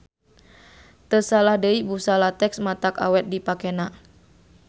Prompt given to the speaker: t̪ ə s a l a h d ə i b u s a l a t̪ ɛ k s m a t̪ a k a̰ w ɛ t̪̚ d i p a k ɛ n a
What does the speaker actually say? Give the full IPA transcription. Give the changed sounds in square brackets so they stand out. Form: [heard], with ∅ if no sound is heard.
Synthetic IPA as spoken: t̪ ə s a l a h d ə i b u s a l a t̪ ɛ k s m a t̪ a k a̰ w ɛ t̪̚ d i p a k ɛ n a